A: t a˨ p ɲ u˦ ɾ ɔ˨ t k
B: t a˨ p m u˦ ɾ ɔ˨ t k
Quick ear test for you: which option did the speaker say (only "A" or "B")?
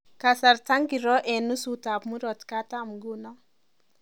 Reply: B